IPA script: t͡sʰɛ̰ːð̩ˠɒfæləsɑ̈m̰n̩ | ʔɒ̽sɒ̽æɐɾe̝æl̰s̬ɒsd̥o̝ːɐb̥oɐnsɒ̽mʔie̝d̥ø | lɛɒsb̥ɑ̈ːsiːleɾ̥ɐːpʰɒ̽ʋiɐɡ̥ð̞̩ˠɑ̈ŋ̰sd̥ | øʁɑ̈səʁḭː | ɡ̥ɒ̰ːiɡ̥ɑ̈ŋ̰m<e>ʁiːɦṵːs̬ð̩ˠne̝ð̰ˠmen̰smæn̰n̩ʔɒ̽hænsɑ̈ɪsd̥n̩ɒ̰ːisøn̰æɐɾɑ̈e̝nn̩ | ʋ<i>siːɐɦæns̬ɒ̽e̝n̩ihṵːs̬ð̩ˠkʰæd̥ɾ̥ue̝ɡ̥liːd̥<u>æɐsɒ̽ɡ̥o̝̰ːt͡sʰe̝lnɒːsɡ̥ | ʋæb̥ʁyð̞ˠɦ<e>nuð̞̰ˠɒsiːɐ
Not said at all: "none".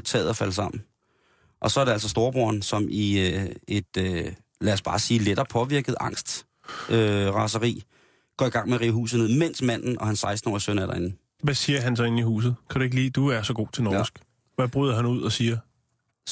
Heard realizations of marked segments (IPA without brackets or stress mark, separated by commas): e, æ, u, æ